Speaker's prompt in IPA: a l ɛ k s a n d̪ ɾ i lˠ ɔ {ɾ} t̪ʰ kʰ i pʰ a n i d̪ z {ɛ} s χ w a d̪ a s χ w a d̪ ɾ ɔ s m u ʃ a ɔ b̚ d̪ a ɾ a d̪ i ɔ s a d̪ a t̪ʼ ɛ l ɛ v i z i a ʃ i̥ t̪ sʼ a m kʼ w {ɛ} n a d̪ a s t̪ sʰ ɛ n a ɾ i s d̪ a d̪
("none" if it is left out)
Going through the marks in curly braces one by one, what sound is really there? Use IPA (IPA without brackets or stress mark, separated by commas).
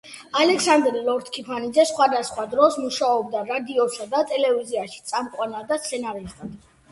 ɾ, ɛ, a